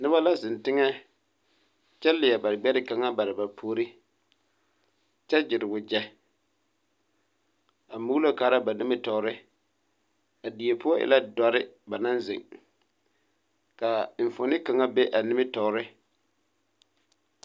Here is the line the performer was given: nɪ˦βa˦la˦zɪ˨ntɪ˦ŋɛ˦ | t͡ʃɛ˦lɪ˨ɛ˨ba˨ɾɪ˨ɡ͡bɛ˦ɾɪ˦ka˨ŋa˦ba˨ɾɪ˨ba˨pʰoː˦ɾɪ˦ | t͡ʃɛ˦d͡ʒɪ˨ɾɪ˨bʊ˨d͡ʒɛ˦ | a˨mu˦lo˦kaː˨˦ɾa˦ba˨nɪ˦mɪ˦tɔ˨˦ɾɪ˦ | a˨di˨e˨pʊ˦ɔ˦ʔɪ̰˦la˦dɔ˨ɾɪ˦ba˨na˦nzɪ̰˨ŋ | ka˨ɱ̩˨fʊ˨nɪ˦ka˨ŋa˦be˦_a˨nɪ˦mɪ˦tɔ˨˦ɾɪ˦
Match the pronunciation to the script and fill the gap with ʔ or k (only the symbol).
ʔ